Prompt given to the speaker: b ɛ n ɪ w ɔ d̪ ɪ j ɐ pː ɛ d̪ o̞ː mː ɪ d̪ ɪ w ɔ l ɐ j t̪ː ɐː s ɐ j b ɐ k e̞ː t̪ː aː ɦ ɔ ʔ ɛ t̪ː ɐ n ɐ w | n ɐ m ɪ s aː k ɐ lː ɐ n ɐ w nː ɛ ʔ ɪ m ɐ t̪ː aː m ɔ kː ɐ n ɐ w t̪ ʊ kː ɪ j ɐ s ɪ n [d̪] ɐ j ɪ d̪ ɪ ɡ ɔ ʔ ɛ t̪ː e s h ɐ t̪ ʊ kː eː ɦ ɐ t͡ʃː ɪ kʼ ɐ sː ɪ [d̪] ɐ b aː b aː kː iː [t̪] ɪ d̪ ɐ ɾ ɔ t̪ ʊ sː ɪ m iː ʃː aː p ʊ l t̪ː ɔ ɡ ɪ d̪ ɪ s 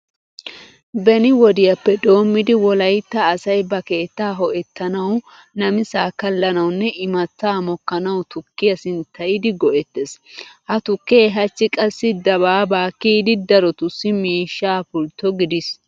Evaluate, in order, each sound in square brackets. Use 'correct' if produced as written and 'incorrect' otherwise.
incorrect, correct, incorrect

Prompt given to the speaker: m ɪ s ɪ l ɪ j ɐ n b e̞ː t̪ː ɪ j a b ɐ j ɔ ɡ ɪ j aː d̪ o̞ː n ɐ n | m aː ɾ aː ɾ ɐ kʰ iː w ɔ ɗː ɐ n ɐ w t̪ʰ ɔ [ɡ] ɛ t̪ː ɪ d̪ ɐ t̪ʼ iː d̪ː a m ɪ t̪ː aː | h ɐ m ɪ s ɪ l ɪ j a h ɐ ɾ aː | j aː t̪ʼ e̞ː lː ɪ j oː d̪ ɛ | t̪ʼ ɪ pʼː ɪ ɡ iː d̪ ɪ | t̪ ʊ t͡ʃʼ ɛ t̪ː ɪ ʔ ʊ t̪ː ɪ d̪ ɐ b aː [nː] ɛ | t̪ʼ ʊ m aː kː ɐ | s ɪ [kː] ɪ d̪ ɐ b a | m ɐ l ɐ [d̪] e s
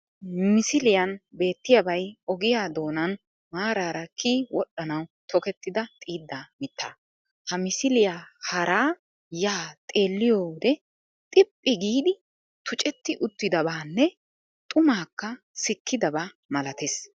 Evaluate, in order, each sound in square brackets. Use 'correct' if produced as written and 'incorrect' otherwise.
incorrect, correct, correct, incorrect

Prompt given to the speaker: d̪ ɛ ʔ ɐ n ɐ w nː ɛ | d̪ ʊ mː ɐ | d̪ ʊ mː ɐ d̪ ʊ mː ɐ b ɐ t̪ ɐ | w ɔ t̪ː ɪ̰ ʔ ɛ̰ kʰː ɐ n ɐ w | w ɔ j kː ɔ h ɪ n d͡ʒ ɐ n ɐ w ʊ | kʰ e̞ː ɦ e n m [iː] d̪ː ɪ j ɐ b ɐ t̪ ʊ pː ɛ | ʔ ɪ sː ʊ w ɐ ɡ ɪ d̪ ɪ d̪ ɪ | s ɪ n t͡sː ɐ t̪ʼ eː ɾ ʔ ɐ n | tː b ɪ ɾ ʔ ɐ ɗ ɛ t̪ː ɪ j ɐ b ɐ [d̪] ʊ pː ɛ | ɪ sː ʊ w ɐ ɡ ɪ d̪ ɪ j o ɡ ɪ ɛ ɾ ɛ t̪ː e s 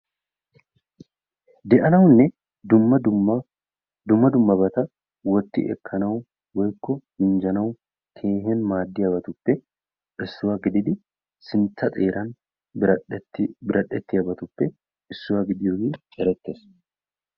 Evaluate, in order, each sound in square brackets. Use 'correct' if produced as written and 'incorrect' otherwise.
incorrect, incorrect

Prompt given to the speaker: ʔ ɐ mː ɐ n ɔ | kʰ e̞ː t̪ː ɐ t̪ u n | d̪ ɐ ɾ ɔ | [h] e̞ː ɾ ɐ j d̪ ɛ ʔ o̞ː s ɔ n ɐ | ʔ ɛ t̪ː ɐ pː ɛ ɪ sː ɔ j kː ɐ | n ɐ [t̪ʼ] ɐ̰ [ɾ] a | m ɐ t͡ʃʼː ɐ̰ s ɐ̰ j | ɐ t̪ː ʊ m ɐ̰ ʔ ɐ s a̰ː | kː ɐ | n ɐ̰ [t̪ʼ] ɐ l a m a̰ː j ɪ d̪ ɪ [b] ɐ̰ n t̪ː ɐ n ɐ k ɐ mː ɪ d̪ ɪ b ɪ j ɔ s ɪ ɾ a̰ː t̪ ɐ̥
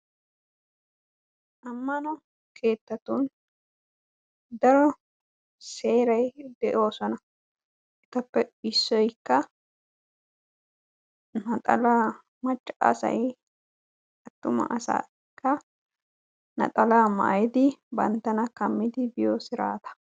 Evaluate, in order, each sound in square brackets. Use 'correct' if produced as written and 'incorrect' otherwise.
incorrect, correct, incorrect, correct, correct

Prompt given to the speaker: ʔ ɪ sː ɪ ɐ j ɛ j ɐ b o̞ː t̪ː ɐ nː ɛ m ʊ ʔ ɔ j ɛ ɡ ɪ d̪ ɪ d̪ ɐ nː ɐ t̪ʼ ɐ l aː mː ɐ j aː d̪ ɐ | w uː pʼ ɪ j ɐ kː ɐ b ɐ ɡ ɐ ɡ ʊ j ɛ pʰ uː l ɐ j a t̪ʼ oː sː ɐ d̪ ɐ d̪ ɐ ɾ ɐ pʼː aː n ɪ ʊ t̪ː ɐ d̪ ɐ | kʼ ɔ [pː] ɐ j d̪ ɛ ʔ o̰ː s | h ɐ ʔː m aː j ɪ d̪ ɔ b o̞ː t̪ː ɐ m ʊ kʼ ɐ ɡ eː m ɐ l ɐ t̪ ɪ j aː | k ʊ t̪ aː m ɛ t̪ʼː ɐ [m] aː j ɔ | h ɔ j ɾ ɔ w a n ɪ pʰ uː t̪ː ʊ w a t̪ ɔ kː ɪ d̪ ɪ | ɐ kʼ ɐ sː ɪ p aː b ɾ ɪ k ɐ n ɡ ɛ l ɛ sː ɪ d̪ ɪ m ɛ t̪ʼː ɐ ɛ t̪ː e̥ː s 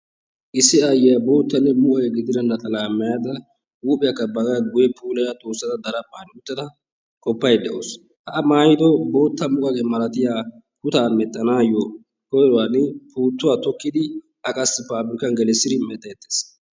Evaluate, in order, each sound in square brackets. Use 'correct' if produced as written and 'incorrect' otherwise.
correct, incorrect

